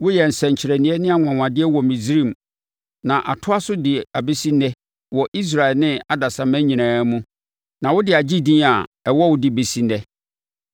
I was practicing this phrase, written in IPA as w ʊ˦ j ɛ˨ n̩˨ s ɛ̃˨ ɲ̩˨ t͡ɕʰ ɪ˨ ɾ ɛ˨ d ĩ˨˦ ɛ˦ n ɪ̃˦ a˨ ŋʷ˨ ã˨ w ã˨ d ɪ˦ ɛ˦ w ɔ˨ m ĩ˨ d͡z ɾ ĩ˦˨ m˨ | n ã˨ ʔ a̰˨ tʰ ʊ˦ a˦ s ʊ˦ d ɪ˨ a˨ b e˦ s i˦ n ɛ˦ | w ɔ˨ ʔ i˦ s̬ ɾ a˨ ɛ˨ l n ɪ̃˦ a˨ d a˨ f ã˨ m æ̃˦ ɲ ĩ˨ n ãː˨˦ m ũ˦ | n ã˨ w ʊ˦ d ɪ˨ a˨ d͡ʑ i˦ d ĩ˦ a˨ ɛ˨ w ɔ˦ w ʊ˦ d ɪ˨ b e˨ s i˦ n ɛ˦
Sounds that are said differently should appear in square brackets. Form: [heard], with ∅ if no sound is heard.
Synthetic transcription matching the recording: w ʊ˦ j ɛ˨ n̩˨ s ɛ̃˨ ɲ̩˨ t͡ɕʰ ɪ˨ ɾ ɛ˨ [n] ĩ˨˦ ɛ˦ n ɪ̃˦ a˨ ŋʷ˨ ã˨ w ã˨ d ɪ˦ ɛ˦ w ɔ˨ m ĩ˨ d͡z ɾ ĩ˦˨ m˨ | n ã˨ ʔ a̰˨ tʰ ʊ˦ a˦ s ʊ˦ d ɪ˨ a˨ b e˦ s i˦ n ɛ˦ | w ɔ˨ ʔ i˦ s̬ ɾ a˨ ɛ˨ l n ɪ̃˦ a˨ d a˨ [s] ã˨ m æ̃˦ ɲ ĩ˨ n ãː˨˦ m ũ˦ | n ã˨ w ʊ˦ d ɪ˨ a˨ d͡ʑ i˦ d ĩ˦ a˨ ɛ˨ w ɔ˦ w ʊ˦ d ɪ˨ b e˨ s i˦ n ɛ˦